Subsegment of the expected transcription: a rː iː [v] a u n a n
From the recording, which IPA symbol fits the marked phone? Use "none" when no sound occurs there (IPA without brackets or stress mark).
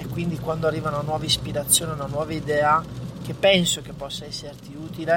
v